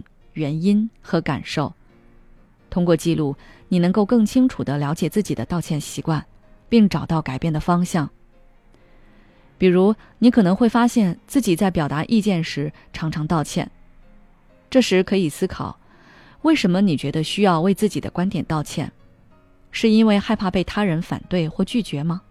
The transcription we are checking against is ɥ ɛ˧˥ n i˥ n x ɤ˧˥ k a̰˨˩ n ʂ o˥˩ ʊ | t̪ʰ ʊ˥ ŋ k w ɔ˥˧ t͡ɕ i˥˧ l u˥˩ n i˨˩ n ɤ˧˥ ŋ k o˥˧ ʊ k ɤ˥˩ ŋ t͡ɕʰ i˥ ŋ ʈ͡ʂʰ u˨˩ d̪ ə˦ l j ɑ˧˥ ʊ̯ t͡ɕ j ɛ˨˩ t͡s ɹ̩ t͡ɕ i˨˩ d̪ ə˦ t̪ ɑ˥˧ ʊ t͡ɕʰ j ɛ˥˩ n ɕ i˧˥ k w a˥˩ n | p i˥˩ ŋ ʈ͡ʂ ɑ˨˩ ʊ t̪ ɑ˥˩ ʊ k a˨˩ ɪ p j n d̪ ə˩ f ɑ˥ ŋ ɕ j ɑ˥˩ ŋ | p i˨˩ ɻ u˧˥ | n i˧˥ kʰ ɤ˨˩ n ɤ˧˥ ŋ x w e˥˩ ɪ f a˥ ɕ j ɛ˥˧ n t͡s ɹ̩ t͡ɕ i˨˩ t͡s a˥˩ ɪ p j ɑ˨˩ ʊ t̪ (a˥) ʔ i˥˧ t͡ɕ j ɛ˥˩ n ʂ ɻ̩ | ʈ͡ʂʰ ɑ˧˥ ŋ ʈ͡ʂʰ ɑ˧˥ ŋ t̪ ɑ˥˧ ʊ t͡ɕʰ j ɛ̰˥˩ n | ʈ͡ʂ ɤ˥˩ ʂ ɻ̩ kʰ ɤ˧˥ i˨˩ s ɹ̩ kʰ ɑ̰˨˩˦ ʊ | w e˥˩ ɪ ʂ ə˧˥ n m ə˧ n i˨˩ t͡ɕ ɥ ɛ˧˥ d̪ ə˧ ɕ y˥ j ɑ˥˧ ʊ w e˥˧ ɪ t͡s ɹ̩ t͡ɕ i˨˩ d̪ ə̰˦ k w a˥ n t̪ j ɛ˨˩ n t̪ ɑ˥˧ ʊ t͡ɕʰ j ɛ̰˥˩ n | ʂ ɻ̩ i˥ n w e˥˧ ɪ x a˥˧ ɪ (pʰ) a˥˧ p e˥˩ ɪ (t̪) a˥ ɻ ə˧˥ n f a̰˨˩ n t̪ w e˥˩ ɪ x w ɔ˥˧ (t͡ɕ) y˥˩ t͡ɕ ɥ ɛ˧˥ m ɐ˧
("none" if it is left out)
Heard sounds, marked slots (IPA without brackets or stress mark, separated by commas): a˧˥, pʰ, t̪ʰ, t͡ɕ